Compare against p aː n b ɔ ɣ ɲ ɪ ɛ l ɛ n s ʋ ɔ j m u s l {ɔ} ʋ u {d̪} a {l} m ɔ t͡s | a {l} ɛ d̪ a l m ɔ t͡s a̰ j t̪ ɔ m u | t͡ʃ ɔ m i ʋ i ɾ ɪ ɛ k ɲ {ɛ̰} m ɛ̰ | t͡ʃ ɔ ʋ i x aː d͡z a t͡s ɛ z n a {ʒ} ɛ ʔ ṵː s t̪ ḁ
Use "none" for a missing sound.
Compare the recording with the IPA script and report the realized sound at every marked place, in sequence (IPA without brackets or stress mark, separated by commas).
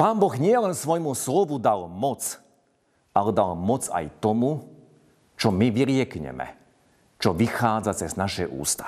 ɔ, d̪, l, l, ɛ̰, ʃ